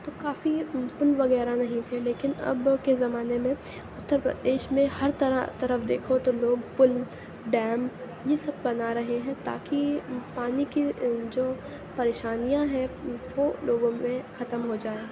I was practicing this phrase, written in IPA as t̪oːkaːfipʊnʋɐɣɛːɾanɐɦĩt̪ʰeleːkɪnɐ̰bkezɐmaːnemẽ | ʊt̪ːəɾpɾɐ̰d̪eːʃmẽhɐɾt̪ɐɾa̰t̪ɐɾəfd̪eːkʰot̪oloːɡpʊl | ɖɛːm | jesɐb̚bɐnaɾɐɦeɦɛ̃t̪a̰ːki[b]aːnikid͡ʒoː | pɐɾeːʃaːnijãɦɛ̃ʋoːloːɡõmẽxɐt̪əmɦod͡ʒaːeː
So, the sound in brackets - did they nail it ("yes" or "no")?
no